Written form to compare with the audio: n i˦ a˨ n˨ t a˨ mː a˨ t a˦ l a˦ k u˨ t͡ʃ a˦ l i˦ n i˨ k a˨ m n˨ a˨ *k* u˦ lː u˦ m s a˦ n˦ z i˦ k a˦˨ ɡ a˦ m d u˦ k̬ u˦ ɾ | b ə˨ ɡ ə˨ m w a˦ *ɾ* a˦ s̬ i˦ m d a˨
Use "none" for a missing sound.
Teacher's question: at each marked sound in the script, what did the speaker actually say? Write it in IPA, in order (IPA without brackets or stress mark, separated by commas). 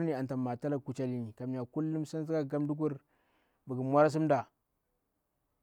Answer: k, ɾ